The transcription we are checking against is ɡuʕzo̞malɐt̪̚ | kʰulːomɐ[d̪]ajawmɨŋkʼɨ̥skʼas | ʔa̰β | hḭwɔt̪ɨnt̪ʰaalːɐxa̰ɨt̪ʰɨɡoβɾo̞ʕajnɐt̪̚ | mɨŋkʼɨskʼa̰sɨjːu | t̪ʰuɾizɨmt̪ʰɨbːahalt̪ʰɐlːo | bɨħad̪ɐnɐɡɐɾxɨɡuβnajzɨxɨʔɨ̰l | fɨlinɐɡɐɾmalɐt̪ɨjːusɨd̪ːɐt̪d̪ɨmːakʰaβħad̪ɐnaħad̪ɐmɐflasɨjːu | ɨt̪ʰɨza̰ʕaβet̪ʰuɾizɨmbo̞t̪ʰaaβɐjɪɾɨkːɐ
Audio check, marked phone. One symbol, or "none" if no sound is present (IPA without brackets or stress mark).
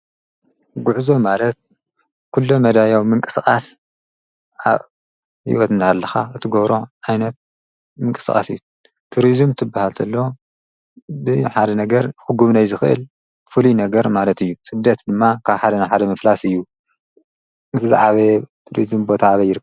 d̪